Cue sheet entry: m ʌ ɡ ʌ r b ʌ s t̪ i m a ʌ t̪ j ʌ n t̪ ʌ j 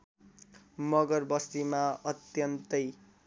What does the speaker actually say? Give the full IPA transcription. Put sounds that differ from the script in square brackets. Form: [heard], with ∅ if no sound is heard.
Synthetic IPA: m ʌ ɡ ʌ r b ʌ s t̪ i m a ʌ t̪ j ʌ n t̪ ʌ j